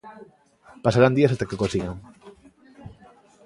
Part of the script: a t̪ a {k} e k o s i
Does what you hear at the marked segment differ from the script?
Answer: no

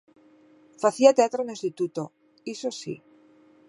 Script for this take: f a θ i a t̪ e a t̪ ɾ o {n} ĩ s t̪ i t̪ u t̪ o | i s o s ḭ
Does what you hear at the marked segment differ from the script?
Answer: no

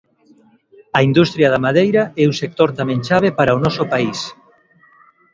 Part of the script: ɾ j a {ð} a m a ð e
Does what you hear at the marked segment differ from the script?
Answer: no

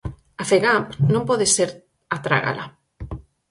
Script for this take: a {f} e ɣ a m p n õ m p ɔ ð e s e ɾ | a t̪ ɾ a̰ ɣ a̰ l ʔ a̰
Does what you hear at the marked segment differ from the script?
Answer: no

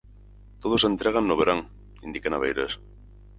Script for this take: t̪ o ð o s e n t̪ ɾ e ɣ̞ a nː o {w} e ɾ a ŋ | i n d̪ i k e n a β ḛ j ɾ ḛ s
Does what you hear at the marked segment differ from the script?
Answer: yes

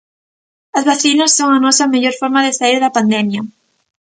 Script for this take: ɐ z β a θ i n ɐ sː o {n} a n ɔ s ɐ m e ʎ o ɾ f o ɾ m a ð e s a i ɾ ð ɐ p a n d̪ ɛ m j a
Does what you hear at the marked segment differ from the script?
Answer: yes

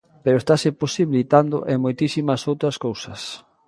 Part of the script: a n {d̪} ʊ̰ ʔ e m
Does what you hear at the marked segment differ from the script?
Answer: no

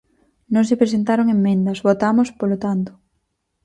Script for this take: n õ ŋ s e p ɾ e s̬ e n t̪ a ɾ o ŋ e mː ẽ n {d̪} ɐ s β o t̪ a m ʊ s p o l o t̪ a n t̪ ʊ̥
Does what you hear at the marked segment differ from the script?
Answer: no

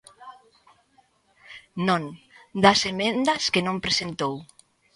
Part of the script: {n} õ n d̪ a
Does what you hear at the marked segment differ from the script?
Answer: no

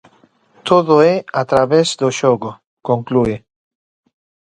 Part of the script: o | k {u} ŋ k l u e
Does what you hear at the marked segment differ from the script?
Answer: yes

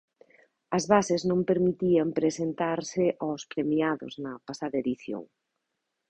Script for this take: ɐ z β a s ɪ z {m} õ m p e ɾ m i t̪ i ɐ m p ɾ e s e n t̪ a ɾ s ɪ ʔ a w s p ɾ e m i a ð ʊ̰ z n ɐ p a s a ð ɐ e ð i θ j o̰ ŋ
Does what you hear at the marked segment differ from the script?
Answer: yes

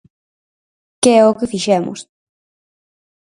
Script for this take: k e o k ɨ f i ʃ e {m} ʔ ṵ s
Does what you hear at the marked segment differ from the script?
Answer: no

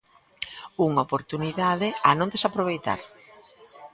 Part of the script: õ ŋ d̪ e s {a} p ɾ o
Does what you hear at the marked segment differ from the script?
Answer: no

